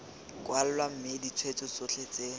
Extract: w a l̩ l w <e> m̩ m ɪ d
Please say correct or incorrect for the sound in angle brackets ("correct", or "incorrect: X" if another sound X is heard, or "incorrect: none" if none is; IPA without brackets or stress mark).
incorrect: a